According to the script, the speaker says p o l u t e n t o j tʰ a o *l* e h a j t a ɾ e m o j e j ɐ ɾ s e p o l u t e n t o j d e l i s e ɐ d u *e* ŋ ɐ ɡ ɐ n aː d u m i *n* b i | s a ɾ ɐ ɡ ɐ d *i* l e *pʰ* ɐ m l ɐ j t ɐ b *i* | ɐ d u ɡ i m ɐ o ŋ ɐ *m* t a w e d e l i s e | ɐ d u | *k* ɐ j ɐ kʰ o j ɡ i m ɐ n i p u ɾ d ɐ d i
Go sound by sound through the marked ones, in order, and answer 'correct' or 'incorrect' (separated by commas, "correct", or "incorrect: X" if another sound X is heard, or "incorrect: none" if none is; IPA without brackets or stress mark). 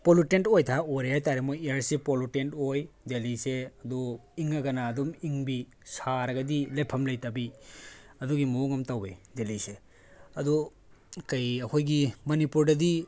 incorrect: ɾ, incorrect: i, incorrect: ŋ, correct, correct, correct, correct, correct